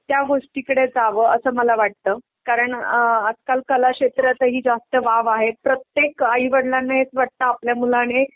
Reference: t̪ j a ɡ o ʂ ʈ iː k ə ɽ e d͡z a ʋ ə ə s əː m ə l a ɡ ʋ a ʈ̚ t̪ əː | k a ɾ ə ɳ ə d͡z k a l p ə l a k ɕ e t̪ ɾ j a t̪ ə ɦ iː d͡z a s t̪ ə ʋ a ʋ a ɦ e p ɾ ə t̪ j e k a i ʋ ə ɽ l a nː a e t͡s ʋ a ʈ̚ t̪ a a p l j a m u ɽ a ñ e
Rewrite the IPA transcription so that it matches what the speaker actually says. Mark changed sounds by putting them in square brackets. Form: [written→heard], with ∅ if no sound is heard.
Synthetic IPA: t̪ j a ɡ o ʂ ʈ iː k ə ɽ e d͡z a ʋ ə ə s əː m ə l a [ɡ→∅] ʋ a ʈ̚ t̪ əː | k a ɾ ə ɳ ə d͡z k a l [p→k] ə l a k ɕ e t̪ ɾ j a t̪ ə ɦ iː d͡z a s t̪ ə ʋ a ʋ a ɦ e p ɾ ə t̪ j e k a i ʋ ə ɽ l a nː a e t͡s ʋ a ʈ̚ t̪ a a p l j a m u [ɽ→l] a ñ e

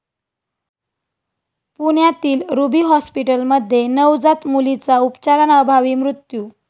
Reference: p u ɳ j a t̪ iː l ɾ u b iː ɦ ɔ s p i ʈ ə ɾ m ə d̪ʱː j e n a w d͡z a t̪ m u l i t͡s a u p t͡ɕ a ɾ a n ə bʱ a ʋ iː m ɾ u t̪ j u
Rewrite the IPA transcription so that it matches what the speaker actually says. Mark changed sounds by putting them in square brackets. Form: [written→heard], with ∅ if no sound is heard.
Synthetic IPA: p u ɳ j a t̪ iː l ɾ u b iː ɦ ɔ s p i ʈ ə [ɾ→l] m ə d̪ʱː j e n [a→ə] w d͡z a t̪ m u l i t͡s a u p t͡ɕ a ɾ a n ə bʱ a ʋ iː m ɾ u t̪ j u

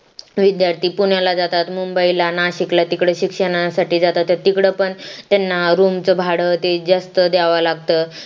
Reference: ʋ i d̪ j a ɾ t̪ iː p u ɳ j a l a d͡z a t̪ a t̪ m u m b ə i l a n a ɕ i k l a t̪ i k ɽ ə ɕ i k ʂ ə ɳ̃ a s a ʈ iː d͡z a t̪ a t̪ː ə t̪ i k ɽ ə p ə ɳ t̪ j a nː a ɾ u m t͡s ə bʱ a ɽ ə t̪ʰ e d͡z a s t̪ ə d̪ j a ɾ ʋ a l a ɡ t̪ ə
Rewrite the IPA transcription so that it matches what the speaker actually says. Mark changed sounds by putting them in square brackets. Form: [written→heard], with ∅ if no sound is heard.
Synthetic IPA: ʋ i d̪ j a ɾ t̪ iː p u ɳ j a l a d͡z a t̪ a t̪ m u m b ə i l a n a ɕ i k l a t̪ i k ɽ ə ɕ i k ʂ ə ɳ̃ a s a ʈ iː d͡z a t̪ a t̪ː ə t̪ i k ɽ ə p ə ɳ t̪ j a nː a ɾ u m t͡s ə bʱ a ɽ ə [t̪ʰ→t̪] e d͡z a s t̪ ə d̪ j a [ɾ→∅] ʋ a l a ɡ t̪ ə

